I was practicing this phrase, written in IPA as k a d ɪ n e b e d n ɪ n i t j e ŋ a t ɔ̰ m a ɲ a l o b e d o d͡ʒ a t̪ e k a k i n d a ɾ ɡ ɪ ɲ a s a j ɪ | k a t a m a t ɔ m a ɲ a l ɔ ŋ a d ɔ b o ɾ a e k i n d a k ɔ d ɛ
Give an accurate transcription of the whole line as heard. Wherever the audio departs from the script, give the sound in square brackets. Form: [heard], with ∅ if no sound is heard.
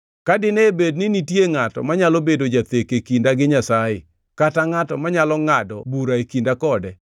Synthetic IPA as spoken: k a d ɪ n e b e d n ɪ n i t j e ŋ a t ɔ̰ m a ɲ a l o b e d o d͡ʒ a t̪ e k [e] k i n d a [∅] ɡ ɪ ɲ a s a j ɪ | k a t a [ŋ] a t ɔ m a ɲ a l ɔ ŋ a d ɔ b [u] ɾ a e k i n d a k ɔ d ɛ